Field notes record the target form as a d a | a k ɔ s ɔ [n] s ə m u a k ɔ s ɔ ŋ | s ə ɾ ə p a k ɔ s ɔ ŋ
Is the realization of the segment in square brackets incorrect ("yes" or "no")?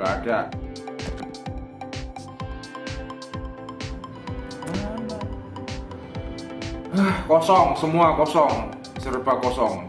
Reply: yes